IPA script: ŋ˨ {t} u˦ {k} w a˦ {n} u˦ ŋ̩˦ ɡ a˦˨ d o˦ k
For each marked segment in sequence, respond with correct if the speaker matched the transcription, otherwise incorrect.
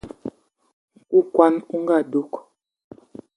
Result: incorrect, correct, correct

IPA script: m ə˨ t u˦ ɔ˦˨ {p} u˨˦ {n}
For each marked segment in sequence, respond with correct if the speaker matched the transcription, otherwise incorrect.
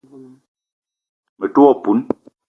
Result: correct, correct

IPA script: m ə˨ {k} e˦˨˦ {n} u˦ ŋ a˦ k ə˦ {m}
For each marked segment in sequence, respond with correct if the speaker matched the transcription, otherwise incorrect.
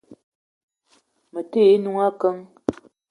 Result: incorrect, correct, incorrect

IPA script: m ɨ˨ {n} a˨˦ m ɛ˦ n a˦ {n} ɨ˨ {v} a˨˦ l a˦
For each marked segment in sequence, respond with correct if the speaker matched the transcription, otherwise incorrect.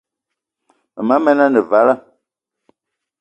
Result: incorrect, correct, correct

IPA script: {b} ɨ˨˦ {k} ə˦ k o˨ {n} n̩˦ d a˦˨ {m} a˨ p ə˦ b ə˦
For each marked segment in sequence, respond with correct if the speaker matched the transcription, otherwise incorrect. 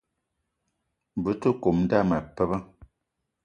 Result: correct, incorrect, incorrect, correct

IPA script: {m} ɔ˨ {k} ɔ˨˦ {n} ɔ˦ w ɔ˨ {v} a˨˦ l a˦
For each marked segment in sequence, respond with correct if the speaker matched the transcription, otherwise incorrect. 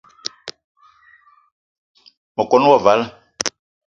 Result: correct, correct, correct, correct

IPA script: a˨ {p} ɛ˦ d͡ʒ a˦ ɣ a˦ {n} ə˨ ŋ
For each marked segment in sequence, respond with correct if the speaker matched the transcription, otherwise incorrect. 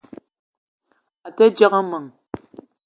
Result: incorrect, incorrect

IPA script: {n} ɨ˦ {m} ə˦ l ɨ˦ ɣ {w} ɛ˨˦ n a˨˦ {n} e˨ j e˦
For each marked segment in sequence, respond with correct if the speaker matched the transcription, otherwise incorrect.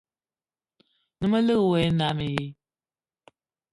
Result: correct, correct, correct, incorrect

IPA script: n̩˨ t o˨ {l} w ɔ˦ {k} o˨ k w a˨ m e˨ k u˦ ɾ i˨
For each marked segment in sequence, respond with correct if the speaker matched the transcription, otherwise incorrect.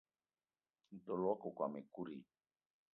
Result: correct, correct

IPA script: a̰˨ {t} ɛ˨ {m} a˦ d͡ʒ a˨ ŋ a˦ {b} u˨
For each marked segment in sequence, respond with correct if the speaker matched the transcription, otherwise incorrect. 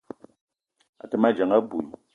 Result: correct, correct, correct

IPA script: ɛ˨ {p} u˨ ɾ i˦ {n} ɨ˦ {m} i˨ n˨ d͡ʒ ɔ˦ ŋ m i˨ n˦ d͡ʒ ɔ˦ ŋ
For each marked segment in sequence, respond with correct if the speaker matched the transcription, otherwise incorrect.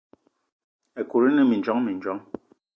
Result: incorrect, correct, correct

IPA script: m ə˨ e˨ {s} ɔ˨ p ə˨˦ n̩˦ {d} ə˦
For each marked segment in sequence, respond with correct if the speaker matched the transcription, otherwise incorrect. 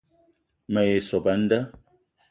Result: correct, correct

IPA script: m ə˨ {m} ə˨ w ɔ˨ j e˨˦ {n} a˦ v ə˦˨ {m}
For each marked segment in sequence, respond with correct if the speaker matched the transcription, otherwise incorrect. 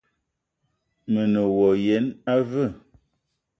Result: incorrect, correct, incorrect

